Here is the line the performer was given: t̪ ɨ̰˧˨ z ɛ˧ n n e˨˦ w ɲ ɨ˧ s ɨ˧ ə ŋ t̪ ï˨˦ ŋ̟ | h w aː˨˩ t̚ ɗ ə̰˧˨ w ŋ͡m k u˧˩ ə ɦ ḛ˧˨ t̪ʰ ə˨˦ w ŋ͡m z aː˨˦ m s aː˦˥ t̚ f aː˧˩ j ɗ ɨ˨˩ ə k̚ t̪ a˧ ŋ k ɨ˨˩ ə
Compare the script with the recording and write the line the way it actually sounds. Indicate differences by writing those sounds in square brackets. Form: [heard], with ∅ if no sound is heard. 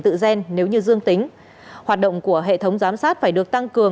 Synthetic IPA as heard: t̪ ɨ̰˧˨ z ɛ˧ n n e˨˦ w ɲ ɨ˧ [z] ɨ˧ ə ŋ t̪ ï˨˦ ŋ̟ | h w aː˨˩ t̚ ɗ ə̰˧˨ w ŋ͡m k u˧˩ ə ɦ ḛ˧˨ t̪ʰ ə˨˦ w ŋ͡m z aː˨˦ m s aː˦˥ t̚ f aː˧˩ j ɗ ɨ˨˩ ə k̚ t̪ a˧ ŋ k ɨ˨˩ ə